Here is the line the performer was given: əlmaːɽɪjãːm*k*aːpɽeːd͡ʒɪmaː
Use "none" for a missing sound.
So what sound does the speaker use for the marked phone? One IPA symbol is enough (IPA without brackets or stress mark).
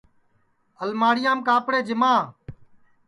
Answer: k